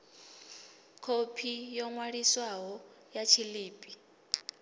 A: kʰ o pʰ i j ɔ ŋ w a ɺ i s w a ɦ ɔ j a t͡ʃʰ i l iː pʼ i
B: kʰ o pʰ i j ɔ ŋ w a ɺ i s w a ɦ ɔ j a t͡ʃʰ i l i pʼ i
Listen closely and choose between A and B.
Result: A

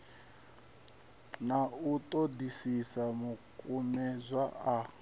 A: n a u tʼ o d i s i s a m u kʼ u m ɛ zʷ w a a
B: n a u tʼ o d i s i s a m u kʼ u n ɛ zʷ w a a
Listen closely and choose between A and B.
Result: A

